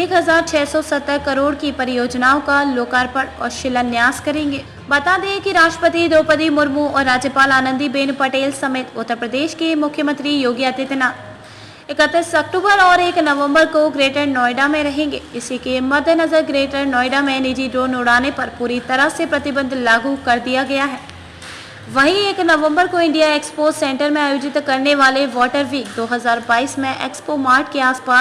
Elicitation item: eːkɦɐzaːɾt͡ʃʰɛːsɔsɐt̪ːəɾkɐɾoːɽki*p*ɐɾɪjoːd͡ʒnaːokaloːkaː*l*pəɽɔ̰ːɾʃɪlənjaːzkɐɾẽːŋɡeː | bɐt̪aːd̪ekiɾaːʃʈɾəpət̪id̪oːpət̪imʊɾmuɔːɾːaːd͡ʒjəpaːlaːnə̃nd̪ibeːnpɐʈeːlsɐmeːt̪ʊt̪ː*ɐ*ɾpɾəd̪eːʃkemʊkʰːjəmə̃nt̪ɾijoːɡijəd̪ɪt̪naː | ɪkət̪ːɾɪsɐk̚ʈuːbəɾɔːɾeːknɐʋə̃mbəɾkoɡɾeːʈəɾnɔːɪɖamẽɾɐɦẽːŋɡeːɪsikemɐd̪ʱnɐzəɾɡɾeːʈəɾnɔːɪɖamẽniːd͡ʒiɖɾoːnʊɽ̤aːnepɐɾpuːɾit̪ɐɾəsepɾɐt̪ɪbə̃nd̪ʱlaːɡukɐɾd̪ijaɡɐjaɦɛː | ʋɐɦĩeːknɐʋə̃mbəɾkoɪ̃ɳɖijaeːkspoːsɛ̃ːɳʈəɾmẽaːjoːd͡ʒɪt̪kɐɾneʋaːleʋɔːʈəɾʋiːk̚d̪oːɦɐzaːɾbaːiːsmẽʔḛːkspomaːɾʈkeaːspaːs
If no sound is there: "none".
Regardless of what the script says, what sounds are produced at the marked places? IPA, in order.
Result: p, ɾ, ə

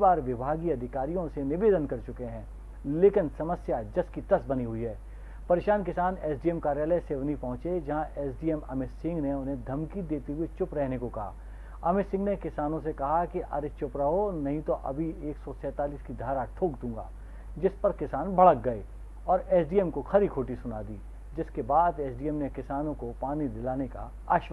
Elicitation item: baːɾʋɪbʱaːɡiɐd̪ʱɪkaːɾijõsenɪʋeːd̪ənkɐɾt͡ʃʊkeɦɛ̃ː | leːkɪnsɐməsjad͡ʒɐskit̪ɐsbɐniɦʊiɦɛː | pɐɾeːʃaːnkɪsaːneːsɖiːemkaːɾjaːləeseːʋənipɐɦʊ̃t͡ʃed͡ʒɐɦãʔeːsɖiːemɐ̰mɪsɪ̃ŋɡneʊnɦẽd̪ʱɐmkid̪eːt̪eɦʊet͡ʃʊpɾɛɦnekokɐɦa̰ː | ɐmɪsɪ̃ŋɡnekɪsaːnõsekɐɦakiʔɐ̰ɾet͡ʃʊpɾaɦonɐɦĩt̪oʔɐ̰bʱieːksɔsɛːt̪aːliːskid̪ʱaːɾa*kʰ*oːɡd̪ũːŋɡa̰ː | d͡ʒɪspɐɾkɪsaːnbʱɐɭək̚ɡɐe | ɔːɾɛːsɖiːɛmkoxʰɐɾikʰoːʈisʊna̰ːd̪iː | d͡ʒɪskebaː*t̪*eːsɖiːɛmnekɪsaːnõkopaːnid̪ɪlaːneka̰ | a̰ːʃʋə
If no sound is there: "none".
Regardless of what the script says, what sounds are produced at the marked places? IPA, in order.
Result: ʈʰ, d̪

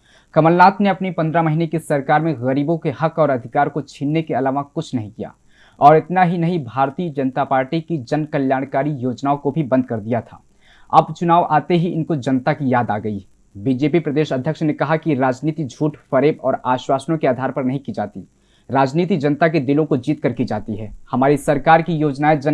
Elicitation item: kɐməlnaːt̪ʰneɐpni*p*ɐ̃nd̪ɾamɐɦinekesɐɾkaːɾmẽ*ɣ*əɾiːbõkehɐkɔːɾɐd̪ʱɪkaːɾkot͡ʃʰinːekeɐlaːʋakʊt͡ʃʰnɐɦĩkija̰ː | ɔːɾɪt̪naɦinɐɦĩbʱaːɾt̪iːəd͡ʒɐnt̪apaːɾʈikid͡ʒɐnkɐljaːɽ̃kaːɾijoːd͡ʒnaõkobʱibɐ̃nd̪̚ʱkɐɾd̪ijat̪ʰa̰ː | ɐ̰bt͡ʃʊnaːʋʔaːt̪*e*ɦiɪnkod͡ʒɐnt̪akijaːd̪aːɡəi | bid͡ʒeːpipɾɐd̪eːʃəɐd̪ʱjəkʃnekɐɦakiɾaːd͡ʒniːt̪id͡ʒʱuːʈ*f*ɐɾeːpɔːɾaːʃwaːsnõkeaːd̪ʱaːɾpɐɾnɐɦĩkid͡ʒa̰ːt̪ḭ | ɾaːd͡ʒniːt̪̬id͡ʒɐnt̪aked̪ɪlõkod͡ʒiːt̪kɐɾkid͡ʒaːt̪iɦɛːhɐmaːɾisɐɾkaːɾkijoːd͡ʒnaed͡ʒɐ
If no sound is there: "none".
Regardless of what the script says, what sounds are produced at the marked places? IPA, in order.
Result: p, ɣ, e, f

